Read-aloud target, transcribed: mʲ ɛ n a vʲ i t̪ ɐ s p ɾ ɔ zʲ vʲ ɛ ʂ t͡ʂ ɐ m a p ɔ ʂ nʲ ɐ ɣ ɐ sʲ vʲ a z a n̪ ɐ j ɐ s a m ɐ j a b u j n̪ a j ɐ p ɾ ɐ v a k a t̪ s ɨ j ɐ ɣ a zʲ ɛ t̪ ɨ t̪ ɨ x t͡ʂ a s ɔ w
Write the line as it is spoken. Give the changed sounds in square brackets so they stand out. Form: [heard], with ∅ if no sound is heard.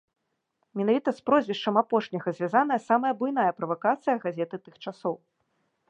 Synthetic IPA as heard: mʲ ɛ n a vʲ i t̪ ɐ s p ɾ ɔ zʲ vʲ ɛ ʂ t͡ʂ ɐ m a p ɔ ʂ nʲ ɐ ɣ ɐ [zʲ] vʲ a z a n̪ ɐ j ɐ s a m ɐ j [ɐ] b u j n̪ a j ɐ p ɾ ɐ v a k a t̪ s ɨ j ɐ ɣ a zʲ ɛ t̪ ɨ t̪ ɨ x t͡ʂ a s ɔ w